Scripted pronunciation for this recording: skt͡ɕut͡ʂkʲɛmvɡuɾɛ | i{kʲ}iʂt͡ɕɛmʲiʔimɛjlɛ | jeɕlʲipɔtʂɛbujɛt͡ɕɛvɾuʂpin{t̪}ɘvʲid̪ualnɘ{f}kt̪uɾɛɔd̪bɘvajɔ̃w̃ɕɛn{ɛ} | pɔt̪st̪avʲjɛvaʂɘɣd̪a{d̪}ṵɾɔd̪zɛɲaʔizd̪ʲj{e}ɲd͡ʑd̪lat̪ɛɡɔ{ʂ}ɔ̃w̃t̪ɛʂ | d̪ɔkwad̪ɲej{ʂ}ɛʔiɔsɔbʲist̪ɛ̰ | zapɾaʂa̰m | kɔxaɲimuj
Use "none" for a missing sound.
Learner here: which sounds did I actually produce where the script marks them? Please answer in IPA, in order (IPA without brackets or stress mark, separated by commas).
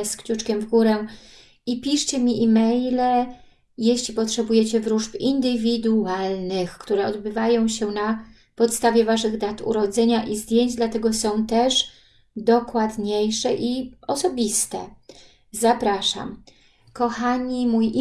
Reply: pʲ, d̪, x, a, t̪, e, s, ʂ